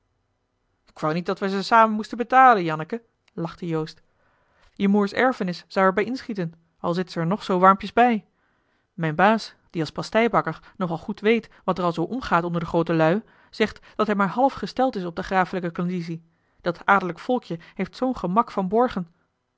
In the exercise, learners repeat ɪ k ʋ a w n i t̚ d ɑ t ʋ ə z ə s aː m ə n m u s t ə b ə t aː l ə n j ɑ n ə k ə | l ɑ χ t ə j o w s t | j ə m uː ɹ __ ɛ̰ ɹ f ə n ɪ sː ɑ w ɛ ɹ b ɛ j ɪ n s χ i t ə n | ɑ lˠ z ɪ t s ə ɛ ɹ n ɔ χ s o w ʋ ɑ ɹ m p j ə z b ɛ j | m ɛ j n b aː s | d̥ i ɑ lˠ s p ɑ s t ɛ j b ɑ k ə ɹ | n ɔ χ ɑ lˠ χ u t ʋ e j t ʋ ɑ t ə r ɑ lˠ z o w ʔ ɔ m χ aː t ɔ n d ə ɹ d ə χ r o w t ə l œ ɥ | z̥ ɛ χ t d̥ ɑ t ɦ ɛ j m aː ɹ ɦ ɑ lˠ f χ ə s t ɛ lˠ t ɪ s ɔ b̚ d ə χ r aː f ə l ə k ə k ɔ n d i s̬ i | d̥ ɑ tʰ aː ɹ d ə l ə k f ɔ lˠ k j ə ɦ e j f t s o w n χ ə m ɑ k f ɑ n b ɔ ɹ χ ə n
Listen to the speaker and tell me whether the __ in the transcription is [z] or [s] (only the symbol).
s